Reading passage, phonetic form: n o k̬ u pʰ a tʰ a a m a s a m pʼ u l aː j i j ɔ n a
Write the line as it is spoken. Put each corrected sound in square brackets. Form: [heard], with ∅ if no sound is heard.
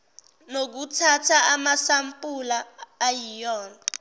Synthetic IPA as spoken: n o k̬ u [tʰ] a tʰ a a m a s a m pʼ u l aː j i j [ɔː] n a

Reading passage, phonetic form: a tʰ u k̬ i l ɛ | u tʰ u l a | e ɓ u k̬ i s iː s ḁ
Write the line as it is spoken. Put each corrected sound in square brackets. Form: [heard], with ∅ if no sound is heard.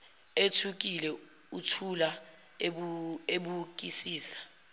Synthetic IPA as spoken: [e] tʰ u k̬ i l ɛ | u tʰ u l a | e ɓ u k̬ i s iː s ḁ

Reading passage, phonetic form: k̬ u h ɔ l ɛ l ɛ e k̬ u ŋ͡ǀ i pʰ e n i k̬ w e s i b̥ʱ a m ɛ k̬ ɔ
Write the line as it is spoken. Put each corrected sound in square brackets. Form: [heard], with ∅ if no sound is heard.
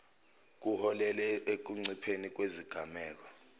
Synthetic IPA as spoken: k̬ u h ɔ l ɛ l ɛ e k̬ u ŋ͡ǀ i pʰ e n i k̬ w e [z] i [ɡ̥ʱ] a m [ɛː] k̬ ɔ

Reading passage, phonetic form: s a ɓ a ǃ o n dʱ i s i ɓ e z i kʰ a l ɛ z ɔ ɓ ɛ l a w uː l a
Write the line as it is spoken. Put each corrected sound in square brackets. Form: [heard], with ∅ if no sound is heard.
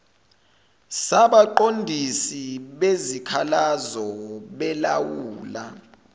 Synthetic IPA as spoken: s a ɓ a ǃ o n dʱ i s i ɓ e z i kʰ a l [a] z ɔ ɓ ɛ l a w uː l a

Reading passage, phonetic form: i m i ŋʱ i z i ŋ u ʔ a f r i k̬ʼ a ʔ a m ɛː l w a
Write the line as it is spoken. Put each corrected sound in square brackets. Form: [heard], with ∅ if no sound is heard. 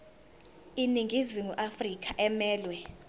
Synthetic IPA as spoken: i [n] i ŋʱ i z i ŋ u ʔ a f r i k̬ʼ a ʔ [ɛ] m ɛː l w [ɛ]

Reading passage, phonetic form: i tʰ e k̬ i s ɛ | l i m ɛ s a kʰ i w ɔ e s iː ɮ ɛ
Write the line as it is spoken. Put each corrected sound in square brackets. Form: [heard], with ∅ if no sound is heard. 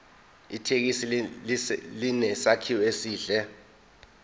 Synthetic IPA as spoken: i tʰ e k̬ i s [i] | l i [n] ɛ s a kʰ i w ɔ e s iː ɮ ɛ

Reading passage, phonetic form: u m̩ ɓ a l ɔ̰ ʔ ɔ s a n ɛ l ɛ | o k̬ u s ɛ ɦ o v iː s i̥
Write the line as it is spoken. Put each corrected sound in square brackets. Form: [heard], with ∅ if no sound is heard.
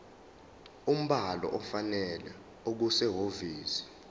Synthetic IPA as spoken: u m̩ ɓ a l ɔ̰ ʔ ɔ [f] a n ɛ l ɛ | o k̬ u s ɛ ɦ o v iː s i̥

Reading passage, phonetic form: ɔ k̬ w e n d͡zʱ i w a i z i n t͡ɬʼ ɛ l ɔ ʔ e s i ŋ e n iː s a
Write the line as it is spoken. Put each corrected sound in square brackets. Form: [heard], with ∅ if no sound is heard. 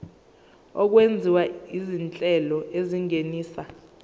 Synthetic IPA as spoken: ɔ k̬ w e n d͡zʱ i w a i z i n t͡ɬʼ ɛ l ɔ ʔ e [z] i ŋ e n iː s a

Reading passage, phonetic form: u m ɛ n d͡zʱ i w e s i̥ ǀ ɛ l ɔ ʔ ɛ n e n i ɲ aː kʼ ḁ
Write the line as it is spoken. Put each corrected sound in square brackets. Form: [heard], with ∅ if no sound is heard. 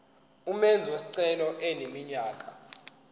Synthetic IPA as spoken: u m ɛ n d͡zʱ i w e s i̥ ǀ ɛ l ɔ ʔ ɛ n e [m] i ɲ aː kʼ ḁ

